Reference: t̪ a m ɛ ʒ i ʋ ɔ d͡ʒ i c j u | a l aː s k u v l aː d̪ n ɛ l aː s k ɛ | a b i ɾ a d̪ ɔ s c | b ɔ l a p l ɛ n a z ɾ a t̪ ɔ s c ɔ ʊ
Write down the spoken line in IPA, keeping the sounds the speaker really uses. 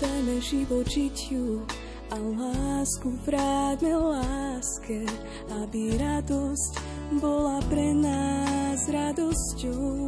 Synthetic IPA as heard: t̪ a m ɛ ʒ i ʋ ɔ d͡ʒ i c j u | a l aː s k u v ɾ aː d̪ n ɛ l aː s k ɛ | a b i ɾ a d̪ ɔ s c | b ɔ l a p ɾ ɛ n a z ɾ a d̪ ɔ s c ɔ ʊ